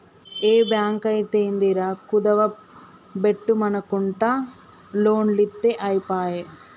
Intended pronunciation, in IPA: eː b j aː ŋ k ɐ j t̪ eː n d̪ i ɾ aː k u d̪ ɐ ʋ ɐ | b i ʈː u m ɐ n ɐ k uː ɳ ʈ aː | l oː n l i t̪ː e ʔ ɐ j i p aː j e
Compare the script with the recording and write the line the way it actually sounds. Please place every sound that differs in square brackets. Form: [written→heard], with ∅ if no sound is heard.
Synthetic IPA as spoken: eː b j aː ŋ k ɐ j t̪ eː n d̪ i ɾ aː k u d̪ ɐ ʋ ɐ | b [i→e] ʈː u m ɐ n ɐ k [uː→u] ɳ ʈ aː | l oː n l i t̪ː e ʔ ɐ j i p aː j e